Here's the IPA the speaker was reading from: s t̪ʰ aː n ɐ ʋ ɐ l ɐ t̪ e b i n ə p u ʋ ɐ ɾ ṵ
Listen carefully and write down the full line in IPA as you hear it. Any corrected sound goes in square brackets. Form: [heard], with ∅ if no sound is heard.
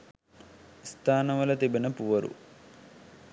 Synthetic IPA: s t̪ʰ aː n ɐ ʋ ɐ l ɐ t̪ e b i n [ɐ] p u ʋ ɐ ɾ ṵ